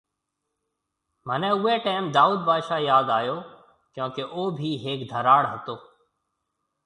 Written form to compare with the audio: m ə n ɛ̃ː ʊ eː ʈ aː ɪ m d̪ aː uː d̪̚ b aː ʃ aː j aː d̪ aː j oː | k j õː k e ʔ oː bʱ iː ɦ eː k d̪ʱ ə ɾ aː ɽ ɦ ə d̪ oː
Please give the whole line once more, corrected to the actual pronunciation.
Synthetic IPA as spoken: m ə n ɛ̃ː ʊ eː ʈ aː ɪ m d̪ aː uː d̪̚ b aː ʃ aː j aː d̪ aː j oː | k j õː k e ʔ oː bʱ iː ɦ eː k d̪ʱ ə ɾ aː ɽ ɦ ə t̪ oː

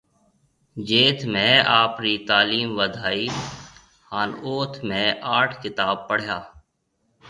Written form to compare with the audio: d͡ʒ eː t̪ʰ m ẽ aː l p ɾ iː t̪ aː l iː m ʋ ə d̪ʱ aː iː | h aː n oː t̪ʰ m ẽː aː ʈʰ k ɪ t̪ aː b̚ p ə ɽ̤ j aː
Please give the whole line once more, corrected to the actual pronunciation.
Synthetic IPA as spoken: d͡ʒ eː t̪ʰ m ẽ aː p ɾ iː t̪ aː l iː m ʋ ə d̪ʱ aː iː | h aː n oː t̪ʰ m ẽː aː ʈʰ k ɪ t̪ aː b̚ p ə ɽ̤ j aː

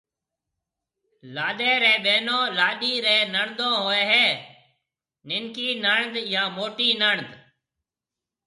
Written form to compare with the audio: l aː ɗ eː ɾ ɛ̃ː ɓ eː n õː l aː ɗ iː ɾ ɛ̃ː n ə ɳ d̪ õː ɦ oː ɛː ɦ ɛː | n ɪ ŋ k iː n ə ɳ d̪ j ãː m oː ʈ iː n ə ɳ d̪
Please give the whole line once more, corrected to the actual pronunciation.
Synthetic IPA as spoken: l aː ɗ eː ɾ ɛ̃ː ɓ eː n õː l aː ɗ iː ɾ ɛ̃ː n ə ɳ d̪ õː ɦ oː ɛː ɦ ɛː | n ɪ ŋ k iː n ə ɳ d̪ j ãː m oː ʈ iː n ə ɳ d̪

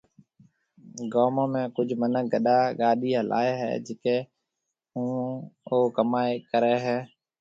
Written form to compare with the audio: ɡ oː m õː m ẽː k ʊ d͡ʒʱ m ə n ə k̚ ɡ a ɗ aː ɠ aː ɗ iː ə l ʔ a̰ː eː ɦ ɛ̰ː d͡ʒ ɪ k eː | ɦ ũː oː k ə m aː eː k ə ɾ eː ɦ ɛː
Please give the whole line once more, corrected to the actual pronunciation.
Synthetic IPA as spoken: ɡ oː m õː m ẽː k ʊ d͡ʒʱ m ə n ə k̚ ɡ ə ɗ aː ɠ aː ɗ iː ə l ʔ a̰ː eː ɦ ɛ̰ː d͡ʒ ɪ k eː | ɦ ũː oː k ə m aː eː k ə ɾ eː ɦ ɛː

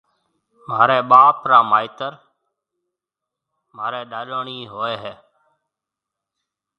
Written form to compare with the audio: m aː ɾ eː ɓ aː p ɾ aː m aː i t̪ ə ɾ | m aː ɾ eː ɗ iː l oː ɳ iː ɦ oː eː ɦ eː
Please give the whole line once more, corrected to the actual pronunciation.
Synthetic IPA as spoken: m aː ɾ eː ɓ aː p ɾ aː m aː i t̪ ə ɾ | m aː ɾ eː ɗ aː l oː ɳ iː ɦ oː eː ɦ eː

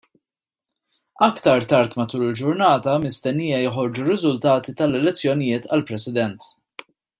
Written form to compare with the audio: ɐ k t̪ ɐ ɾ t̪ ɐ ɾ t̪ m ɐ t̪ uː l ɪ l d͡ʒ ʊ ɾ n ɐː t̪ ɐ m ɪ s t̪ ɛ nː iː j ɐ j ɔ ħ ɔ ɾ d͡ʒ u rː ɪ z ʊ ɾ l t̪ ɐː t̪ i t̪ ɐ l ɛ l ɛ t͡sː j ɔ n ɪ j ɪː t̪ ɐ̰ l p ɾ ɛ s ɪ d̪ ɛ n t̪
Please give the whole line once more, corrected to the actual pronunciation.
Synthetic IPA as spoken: ɐ k t̪ ɐ ɾ t̪ ɐ ɾ t̪ m ɐ t̪ uː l ɪ l d͡ʒ ʊ ɾ n ɐː t̪ ɐ m ɪ s t̪ ɛ nː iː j ɐ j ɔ ħ ɔ ɾ d͡ʒ u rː ɪ z ʊ l t̪ ɐː t̪ i t̪ ɐ l ɛ l ɛ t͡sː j ɔ n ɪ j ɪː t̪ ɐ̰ l p ɾ ɛ s ɪ d̪ ɛ n t̪

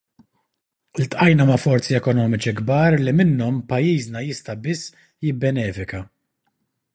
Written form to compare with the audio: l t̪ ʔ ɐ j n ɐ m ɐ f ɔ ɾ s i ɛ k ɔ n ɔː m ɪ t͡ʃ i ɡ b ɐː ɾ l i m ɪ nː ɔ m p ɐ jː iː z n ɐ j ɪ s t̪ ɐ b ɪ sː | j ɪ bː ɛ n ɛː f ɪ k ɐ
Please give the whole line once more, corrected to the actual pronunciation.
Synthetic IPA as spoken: l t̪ ʔ ɐ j n ɐ m ɐ f ɔ ɾ t͡s i ɛ k ɔ n ɔː m ɪ t͡ʃ i ɡ b ɐː ɾ l i m ɪ nː ɔ m p ɐ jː iː z n ɐ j ɪ s t̪ ɐ b ɪ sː | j ɪ bː ɛ n ɛː f ɪ k ɐ

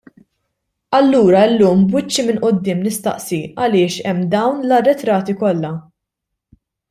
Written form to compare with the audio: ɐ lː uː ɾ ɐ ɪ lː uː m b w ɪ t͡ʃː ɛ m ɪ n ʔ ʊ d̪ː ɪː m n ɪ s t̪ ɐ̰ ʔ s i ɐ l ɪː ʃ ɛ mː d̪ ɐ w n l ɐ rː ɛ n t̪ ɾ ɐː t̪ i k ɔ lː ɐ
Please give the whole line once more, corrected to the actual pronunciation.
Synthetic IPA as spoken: ɐ lː uː ɾ ɐ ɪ lː uː m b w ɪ t͡ʃː i m ɪ n ʔ ʊ d̪ː ɪː m n ɪ s t̪ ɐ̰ ʔ s i ɐ l ɪː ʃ ɛ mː d̪ ɐ w n l ɐ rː ɛ t̪ ɾ ɐː t̪ i k ɔ lː ɐ

